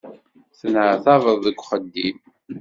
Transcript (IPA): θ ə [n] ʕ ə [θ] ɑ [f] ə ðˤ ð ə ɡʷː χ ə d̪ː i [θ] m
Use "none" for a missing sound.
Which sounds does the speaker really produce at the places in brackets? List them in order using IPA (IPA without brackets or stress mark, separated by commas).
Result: n, θ, v, none